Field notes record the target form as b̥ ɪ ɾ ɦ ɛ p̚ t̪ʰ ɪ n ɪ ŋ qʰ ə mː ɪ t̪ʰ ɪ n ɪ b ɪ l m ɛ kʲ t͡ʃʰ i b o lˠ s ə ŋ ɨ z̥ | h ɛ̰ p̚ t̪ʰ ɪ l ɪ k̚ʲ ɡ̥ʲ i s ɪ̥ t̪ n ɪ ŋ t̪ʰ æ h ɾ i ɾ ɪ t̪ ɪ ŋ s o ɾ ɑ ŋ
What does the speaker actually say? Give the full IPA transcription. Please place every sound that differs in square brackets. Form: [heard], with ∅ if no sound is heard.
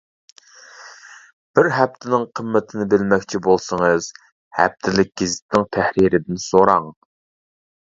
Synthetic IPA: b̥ ɪ ɾ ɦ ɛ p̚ t̪ʰ ɪ n ɪ ŋ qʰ ə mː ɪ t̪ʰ ɪ n ɪ b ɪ l m ɛ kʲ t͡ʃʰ i b o lˠ s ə ŋ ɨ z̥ | h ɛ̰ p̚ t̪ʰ ɪ l ɪ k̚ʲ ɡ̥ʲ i [z] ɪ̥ t̪ n ɪ ŋ t̪ʰ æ h ɾ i ɾ ɪ [d̪] ɪ [n] s o ɾ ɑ ŋ